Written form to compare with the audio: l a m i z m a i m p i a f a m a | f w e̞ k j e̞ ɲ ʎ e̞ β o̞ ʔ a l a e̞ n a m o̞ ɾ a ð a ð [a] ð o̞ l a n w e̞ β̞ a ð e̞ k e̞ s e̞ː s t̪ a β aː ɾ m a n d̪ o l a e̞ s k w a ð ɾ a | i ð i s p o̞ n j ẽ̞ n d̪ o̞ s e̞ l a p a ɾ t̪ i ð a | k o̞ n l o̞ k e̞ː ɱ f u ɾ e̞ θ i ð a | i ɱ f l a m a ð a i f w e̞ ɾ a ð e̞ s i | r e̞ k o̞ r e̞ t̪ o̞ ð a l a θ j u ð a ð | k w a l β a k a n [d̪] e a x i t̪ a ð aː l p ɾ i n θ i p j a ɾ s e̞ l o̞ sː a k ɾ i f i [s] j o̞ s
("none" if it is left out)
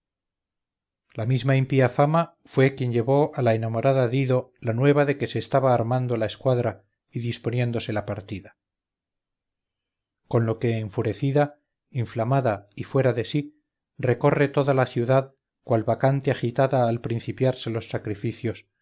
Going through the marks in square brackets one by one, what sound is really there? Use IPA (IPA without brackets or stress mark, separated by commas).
i, t̪, θ